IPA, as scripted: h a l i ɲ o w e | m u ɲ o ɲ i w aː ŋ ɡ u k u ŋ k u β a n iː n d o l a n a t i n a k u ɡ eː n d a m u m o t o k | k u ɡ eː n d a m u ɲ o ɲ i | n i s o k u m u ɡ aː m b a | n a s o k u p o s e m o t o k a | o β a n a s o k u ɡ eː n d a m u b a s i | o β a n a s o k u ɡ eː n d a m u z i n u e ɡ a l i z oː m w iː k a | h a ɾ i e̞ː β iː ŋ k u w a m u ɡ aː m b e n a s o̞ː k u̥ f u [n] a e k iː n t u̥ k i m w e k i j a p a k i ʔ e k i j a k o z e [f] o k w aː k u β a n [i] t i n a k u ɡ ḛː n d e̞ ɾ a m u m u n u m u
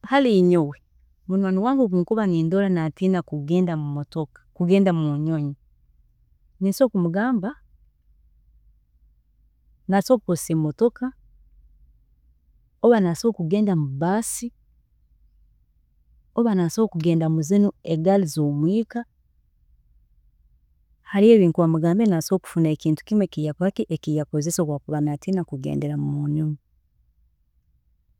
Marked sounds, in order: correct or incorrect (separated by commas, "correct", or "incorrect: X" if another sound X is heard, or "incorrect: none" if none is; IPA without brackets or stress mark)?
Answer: correct, incorrect: s, incorrect: a